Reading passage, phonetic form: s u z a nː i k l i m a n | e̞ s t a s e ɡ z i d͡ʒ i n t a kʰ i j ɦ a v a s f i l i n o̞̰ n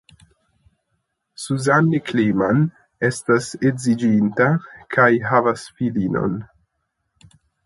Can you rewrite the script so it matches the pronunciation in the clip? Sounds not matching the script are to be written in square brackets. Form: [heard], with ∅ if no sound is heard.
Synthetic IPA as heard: s u z a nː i k l i m a n | e̞ s t a s e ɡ z i d͡ʒ i n t a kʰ [a] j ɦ a v a s f i l i n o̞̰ n

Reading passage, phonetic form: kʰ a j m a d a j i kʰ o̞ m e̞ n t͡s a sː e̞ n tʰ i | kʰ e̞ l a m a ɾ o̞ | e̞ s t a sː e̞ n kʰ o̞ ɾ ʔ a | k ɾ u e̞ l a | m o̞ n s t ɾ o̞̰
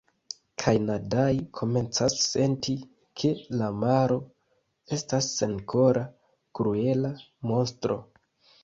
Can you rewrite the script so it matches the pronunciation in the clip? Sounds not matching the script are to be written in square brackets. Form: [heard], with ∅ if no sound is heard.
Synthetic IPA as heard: kʰ a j [n] a d a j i kʰ o̞ m e̞ n t͡s a sː e̞ n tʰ i | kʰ e̞ l a m a ɾ o̞ | e̞ s t a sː e̞ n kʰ o̞ ɾ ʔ a | k ɾ u e̞ l a | m o̞ n s t ɾ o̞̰

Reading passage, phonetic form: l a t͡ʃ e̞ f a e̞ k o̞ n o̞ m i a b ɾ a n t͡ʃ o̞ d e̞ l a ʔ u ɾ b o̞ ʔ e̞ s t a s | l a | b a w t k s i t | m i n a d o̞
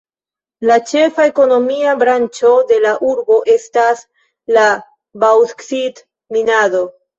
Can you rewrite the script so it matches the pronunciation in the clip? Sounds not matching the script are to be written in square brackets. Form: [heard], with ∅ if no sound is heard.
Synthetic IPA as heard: l a t͡ʃ e̞ f a e̞ k o̞ n o̞ m i a b ɾ a n t͡ʃ o̞ d e̞ l a ʔ u ɾ b o̞ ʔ e̞ s t a s | l a | b a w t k s i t | m i n a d o̞

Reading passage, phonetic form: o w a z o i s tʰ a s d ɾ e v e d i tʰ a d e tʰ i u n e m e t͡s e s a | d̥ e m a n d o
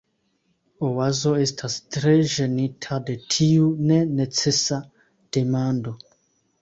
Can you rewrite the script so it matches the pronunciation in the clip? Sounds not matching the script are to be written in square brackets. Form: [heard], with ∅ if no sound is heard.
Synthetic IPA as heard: o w a z o [e] s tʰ a s [t] ɾ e [ʒ] e [n] i tʰ a d e tʰ i u n e [n] e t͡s e s a | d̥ e m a n d o

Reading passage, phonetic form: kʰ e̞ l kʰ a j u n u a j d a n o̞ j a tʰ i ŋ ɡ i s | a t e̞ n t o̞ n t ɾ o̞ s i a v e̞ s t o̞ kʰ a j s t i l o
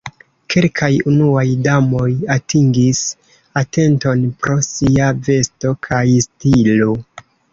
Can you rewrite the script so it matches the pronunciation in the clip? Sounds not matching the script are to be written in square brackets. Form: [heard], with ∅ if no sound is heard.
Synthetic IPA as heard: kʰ e̞ l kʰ a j u n u a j d a [m] o̞ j a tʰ i ŋ ɡ i s | a t e̞ n t o̞ n [p] ɾ o̞ s i a v e̞ s t o̞ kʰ a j s t i l o

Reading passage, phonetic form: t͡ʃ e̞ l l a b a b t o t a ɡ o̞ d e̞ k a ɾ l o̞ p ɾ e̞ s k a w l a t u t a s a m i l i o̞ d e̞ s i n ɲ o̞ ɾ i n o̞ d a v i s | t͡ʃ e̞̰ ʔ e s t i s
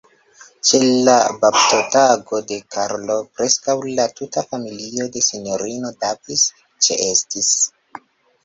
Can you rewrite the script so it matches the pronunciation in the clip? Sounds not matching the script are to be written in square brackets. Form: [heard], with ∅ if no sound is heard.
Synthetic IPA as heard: t͡ʃ e̞ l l a b a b t o t a ɡ o̞ d e̞ k a ɾ l o̞ p ɾ e̞ s k a w l a t u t a [f] a m i l i o̞ d e̞ s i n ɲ o̞ ɾ i n o̞ d a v i s | t͡ʃ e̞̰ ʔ e s t i s

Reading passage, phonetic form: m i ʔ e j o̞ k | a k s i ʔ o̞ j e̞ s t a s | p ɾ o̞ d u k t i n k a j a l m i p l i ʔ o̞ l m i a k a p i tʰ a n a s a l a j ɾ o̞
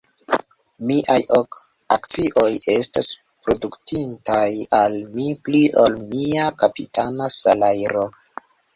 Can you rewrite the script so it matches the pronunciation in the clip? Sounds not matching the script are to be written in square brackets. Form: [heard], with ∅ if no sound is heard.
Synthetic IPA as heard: m i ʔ [a] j o̞ k | a k [t͡s] i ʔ o̞ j e̞ s t a s | p ɾ o̞ d u k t i n [t] a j a l m i p l i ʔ o̞ l m i a k a p i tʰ a n a s a l a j ɾ o̞

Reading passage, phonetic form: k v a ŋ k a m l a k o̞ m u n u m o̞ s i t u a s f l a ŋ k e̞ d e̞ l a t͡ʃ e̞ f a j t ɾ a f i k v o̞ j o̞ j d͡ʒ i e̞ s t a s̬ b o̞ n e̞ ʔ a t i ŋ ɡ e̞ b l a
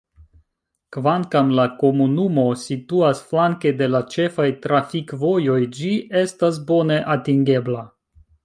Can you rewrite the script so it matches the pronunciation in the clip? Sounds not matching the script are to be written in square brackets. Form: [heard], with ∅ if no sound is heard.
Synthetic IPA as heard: k v a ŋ k a m l a k o̞ m u n u m o̞ s i t u a s f l a ŋ k e̞ d e̞ l a t͡ʃ e̞ f a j t ɾ a f i k v o̞ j o̞ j d͡ʒ i e̞ s t a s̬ b o̞ n e̞ ʔ a t i ŋ ɡ e̞ b l a

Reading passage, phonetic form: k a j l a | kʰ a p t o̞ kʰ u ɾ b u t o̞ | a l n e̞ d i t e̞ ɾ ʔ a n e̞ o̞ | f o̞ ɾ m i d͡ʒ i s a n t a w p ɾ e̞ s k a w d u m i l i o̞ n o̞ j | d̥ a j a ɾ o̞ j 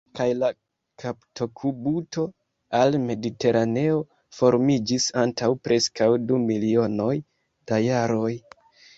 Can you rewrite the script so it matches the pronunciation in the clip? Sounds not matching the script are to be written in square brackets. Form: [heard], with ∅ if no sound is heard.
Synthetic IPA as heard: k a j l a | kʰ a p t o̞ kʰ u [∅] b u t o̞ | a l [m] e̞ d i t e̞ ɾ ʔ a n e̞ o̞ | f o̞ ɾ m i d͡ʒ i s a n t a w p ɾ e̞ s k a w d u m i l i o̞ n o̞ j | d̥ a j a ɾ o̞ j

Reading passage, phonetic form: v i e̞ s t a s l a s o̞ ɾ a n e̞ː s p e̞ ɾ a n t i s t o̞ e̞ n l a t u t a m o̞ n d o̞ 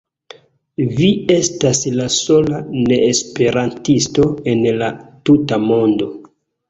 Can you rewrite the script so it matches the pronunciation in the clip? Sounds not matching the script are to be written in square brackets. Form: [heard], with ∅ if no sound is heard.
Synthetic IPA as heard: v i e̞ s t a s l a s o̞ [l] a n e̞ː s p e̞ ɾ a n t i s t o̞ e̞ n l a t u t a m o̞ n d o̞

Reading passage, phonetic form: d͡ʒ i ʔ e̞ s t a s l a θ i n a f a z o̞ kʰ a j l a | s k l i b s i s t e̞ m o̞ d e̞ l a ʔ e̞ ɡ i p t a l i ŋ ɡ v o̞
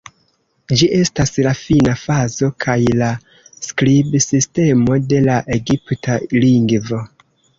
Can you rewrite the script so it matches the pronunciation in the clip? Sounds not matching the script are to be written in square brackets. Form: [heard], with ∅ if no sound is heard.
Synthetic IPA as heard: d͡ʒ i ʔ e̞ s t a s l a [f] i n a f a z o̞ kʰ a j l a | s k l i b s i s t e̞ m o̞ d e̞ l a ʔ e̞ ɡ i p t a l i ŋ ɡ v o̞

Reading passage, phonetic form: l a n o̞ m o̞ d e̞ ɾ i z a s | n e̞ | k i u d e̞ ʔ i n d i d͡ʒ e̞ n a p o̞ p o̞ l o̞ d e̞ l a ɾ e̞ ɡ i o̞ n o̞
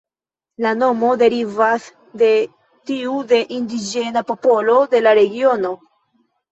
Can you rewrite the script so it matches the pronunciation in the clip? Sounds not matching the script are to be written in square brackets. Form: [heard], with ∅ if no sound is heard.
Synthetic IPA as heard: l a n o̞ m o̞ d e̞ ɾ i [v] a s | [d] e̞ | [t] i u d e̞ ʔ i n d i d͡ʒ e̞ n a p o̞ p o̞ l o̞ d e̞ l a ɾ e̞ ɡ i o̞ n o̞

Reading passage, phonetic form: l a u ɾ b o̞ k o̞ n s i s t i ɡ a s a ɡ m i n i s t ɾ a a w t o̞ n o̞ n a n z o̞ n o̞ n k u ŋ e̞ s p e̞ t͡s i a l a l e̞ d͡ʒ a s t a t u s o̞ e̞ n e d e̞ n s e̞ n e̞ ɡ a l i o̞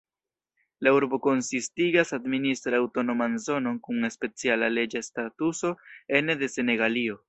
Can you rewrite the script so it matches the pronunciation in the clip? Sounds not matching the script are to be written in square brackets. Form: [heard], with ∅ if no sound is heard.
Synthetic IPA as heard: l a u ɾ b o̞ k o̞ n s i s t i ɡ a s a [d] m i n i s t ɾ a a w t o̞ n o̞ [m] a n z o̞ n o̞ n k u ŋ e̞ s p e̞ t͡s i a l a l e̞ d͡ʒ a s t a t u s o̞ e̞ n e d e̞ [∅] s e̞ n e̞ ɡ a l i o̞

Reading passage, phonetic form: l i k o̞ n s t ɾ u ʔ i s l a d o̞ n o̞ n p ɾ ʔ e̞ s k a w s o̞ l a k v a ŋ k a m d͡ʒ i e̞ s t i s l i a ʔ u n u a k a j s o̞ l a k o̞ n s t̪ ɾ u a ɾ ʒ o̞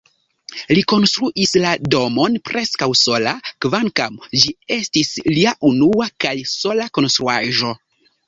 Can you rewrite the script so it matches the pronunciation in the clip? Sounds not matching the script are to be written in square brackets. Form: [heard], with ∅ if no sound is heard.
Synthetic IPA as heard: l i k o̞ n s t ɾ u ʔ i s l a d o̞ [m] o̞ n p ɾ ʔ e̞ s k a w s o̞ l a k v a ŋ k a m d͡ʒ i e̞ s t i s l i a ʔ u n u a k a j s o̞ l a k o̞ n s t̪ ɾ u a [∅] ʒ o̞

